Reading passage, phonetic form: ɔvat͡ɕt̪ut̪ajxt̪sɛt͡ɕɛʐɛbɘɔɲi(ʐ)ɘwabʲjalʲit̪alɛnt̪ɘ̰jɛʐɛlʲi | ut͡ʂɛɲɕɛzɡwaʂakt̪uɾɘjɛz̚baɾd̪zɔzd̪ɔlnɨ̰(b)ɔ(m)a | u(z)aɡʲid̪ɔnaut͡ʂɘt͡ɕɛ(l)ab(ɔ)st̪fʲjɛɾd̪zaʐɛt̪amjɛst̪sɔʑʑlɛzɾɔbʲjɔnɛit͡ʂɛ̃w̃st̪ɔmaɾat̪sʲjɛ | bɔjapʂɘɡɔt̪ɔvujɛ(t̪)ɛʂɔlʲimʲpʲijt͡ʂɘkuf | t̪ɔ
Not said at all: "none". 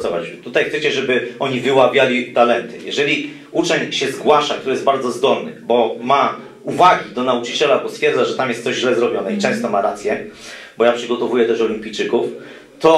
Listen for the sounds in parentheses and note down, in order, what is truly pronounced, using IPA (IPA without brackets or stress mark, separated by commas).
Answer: v, b, m, v, l, ɔ, t̪